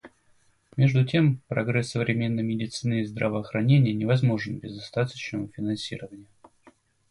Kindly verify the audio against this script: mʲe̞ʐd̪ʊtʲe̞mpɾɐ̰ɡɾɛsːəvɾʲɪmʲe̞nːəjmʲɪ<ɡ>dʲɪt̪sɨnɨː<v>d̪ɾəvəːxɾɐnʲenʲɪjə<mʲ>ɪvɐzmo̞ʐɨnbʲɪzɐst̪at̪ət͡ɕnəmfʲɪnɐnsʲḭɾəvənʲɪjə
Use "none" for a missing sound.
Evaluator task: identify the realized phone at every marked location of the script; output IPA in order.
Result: none, z, nʲ

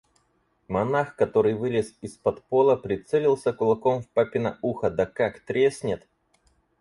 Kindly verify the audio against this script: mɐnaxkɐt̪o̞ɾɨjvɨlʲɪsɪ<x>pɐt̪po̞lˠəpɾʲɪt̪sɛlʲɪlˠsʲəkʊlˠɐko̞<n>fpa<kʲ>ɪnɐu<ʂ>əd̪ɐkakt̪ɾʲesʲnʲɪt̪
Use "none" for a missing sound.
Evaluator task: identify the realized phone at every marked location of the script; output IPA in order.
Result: s, m, pʲ, x

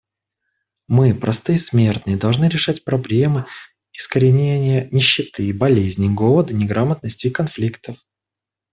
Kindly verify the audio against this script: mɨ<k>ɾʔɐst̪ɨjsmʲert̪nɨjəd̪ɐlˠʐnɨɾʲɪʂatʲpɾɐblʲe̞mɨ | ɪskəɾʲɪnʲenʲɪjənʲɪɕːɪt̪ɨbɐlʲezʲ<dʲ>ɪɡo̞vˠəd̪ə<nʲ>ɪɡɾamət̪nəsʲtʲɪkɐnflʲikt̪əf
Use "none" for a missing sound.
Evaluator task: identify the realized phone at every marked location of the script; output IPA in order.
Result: p, nʲ, nʲ

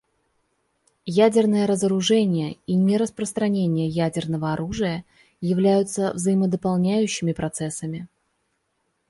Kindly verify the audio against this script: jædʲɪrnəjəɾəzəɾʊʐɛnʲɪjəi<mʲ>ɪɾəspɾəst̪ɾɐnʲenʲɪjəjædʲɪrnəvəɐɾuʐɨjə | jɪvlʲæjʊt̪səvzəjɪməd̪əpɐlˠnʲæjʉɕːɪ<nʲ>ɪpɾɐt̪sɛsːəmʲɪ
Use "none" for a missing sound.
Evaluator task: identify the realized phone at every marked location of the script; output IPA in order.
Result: nʲ, mʲ

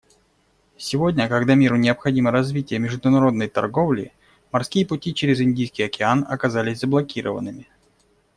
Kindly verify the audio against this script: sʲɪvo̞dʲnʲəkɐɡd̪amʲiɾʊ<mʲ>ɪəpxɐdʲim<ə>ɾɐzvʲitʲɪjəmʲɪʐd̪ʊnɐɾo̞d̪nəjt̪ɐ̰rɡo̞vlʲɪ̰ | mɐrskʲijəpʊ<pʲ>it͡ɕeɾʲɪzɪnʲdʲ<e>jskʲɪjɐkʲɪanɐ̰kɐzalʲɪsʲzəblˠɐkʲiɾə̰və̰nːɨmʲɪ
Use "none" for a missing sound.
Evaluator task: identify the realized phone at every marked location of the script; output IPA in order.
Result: nʲ, ə, tʲ, i

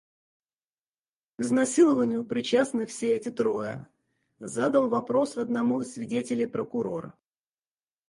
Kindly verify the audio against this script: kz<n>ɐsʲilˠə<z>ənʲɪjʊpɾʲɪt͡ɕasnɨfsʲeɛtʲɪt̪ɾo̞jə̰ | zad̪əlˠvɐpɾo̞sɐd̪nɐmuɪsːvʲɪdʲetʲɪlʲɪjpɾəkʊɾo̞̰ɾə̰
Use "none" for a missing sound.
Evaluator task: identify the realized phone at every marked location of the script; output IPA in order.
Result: n, v

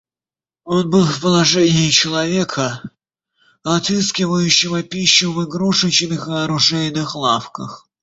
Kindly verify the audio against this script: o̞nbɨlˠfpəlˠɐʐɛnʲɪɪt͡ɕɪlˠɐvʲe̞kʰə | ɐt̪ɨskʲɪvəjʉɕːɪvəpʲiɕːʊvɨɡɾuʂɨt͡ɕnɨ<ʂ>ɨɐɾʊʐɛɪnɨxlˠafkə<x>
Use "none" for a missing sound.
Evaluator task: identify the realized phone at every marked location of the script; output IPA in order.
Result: x, x

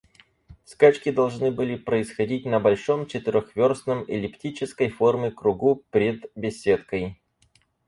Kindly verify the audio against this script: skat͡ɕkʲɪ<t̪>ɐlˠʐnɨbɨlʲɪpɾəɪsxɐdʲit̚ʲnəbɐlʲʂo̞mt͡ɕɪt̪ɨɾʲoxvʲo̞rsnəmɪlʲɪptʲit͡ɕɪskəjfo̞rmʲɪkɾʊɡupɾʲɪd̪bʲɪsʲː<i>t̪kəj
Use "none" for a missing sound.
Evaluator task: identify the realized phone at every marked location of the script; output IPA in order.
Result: d̪, e

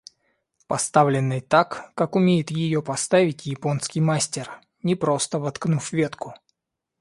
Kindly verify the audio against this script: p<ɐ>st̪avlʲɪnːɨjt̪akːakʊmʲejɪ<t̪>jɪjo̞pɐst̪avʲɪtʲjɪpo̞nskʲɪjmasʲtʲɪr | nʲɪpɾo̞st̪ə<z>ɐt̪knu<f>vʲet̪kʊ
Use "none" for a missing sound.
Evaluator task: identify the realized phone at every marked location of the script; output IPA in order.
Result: ɐ, t̪, v, f

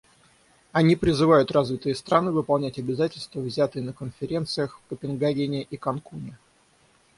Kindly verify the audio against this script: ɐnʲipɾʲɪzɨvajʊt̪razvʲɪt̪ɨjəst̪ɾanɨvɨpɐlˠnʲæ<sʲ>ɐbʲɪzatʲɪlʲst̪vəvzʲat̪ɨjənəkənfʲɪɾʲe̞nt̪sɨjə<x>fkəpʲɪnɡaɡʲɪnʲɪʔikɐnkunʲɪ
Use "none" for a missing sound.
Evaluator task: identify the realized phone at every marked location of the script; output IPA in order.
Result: tʲ, x

